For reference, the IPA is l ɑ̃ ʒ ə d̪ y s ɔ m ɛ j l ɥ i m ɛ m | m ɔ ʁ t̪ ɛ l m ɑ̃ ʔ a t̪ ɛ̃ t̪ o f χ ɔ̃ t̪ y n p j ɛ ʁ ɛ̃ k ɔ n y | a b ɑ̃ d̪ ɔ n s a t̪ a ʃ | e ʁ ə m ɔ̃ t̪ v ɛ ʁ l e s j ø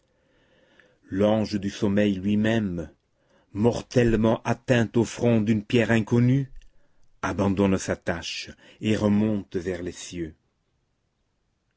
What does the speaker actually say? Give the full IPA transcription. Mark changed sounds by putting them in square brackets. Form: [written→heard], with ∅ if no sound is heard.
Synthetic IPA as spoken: l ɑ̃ ʒ ə d̪ y s ɔ m ɛ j l ɥ i m ɛ m | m ɔ ʁ t̪ ɛ l m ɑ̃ ʔ a t̪ ɛ̃ t̪ o f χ ɔ̃ [t̪→d̪] y n p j ɛ ʁ ɛ̃ k ɔ n y | a b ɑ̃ d̪ ɔ n s a t̪ a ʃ | e ʁ ə m ɔ̃ t̪ v ɛ ʁ l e s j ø